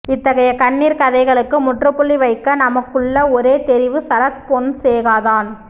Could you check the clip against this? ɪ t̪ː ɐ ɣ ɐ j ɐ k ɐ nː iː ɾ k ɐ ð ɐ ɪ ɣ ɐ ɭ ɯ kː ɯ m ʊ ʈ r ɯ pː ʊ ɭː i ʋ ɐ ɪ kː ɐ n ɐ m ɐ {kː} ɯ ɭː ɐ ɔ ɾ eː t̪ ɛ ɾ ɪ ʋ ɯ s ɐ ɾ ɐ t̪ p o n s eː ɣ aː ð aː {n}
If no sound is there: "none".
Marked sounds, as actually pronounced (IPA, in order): kː, n

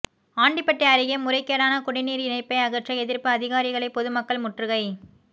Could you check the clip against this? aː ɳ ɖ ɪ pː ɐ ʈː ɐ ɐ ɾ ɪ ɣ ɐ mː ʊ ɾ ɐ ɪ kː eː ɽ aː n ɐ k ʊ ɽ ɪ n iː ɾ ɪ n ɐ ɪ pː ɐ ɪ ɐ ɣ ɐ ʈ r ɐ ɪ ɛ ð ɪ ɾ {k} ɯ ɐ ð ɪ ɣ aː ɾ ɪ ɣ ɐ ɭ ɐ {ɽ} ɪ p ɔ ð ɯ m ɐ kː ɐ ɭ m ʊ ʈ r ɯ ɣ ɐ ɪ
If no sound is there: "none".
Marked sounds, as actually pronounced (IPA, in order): p, none

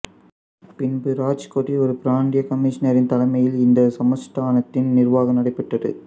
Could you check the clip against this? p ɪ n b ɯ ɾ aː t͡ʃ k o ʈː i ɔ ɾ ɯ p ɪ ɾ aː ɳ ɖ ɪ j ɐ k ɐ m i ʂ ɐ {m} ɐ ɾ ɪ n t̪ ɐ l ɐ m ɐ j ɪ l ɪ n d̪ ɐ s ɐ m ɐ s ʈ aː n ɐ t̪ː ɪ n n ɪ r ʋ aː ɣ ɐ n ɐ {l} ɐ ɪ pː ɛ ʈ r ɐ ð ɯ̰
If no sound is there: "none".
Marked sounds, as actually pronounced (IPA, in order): n, ɽ

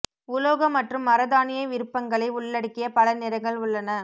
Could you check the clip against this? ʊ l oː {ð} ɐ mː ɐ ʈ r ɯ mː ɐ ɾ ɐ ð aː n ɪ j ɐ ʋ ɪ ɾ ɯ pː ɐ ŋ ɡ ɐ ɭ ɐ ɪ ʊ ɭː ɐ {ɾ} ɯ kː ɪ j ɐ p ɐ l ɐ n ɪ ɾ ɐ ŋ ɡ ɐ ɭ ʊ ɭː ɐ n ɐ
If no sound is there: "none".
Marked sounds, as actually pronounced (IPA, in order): ɣ, ɽ

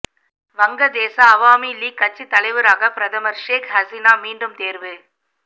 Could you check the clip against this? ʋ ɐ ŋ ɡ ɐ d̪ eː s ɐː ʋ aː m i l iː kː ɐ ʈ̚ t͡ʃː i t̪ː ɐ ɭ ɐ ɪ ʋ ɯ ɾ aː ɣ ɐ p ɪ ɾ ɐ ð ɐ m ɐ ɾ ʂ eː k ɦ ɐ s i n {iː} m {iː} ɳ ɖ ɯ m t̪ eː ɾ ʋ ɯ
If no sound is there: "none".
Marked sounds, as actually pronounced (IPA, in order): aː, iː

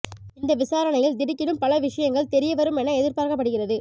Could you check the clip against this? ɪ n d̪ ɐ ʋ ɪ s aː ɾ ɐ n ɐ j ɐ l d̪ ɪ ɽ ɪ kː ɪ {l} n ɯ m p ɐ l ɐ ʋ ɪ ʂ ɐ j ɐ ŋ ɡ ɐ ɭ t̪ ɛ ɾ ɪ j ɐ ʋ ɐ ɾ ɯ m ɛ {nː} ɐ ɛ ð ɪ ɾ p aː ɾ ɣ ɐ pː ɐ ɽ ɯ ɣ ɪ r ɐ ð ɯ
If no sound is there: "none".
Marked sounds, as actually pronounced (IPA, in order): none, n

